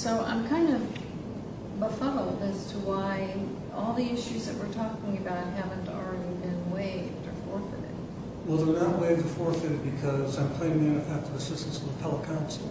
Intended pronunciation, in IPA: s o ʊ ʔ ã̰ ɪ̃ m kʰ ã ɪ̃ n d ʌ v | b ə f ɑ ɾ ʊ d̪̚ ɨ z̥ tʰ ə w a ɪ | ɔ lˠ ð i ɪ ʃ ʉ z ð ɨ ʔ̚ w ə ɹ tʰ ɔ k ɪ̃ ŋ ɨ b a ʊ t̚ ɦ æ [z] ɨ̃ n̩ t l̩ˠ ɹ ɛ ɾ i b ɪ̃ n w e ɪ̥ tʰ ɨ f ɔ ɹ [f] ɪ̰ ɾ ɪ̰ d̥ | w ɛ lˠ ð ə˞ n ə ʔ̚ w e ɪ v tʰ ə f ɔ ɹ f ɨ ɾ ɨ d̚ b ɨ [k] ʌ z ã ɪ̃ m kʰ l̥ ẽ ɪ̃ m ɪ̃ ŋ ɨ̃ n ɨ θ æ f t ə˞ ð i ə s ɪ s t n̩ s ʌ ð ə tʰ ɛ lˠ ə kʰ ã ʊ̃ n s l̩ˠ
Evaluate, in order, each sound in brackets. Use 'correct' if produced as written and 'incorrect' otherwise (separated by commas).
incorrect, correct, incorrect